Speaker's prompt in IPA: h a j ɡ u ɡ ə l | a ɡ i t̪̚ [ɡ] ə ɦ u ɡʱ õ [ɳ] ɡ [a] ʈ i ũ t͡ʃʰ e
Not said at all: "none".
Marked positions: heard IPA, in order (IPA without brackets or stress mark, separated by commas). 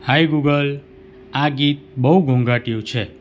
b, ŋ, a